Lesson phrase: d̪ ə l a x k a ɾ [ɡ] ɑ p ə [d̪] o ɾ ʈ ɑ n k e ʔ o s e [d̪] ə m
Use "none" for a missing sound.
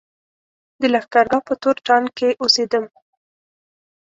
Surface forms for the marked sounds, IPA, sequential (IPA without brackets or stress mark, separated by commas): ɡ, t̪, d̪